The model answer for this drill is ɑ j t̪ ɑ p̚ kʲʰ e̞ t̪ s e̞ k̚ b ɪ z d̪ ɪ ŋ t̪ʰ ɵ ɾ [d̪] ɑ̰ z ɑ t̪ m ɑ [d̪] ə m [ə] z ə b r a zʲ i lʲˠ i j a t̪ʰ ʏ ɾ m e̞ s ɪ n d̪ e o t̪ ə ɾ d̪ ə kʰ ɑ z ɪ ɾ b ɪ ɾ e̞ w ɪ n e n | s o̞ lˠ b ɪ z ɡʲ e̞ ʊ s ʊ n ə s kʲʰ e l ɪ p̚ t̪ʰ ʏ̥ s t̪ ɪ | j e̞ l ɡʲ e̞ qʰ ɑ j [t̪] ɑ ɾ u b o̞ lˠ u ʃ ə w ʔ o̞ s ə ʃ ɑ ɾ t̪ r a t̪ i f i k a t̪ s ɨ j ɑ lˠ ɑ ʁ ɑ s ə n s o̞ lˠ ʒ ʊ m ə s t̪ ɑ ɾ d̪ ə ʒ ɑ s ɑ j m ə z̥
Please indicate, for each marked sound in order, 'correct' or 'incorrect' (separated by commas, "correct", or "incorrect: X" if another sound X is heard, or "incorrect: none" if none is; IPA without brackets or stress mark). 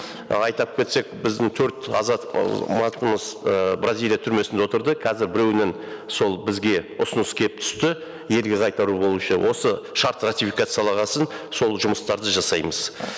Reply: incorrect: t̪, incorrect: t̪, correct, correct